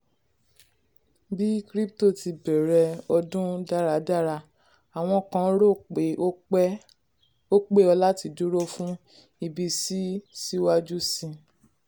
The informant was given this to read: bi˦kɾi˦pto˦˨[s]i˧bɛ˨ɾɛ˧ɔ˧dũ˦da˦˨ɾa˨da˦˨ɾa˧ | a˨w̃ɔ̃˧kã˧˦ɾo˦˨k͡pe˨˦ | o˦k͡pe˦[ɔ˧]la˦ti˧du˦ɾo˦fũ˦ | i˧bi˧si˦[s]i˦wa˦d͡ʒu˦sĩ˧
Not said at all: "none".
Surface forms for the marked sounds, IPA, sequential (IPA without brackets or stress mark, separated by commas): t, ɔ˧, s